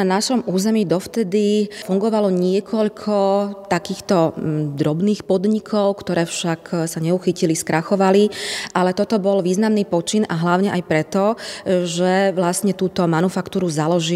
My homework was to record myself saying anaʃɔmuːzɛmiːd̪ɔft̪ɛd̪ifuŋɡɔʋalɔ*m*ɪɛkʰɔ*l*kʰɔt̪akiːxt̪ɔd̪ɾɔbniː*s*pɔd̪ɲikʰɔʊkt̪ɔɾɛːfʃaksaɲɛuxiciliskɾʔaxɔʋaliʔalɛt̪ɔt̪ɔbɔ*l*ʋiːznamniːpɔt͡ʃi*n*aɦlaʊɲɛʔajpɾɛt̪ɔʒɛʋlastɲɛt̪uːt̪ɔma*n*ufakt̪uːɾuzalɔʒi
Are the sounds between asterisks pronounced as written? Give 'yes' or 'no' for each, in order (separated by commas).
no, no, no, yes, yes, yes